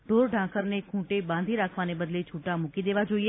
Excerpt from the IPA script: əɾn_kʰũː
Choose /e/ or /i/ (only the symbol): e